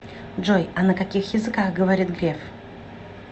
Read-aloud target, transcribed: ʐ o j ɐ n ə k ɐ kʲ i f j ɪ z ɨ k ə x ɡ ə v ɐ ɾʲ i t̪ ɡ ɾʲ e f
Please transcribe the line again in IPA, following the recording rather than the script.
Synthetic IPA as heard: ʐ o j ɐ n ə k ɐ kʲ i x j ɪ z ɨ k a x ɡ ə v ɐ ɾʲ i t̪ ɡ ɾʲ e f